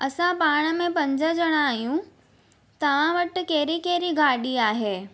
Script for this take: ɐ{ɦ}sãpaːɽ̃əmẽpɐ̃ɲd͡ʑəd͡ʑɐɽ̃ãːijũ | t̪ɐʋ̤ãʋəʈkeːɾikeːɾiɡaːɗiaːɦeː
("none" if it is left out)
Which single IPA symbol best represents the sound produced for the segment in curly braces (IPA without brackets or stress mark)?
none